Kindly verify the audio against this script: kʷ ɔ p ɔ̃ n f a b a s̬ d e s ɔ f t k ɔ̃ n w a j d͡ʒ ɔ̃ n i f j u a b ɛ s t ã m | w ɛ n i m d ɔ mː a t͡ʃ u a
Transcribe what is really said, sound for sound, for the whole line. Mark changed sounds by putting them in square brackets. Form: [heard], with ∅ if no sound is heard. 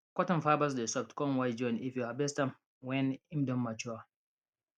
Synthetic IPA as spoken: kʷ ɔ [t] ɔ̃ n f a b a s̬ d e s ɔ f t k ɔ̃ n w a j d͡ʒ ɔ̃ n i f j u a b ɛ s t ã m | w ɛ n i m d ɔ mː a t͡ʃ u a